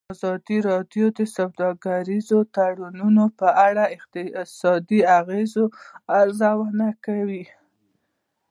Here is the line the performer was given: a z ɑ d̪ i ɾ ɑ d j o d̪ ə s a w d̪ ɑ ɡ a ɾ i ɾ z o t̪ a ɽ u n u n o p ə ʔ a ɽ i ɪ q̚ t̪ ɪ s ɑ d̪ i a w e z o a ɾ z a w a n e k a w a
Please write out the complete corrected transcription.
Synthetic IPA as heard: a z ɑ d̪ i ɾ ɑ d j o d̪ ə s a w d̪ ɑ ɡ a ɾ i z o t̪ a ɽ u n u n o p ə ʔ a ɽ a ɪ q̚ t̪ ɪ s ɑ d̪ i a ɣ e z o a ɾ z a w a n a k a w i